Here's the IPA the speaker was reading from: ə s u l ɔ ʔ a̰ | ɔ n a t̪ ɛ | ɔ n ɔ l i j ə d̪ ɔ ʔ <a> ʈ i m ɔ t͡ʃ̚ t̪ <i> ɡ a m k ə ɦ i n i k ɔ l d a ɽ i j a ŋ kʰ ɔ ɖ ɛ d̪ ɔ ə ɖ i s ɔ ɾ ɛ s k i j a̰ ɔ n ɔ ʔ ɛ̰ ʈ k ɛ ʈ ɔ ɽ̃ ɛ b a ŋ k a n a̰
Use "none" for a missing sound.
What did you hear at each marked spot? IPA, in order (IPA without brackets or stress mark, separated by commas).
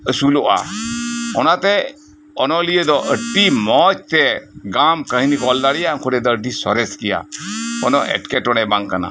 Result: ə, ɛ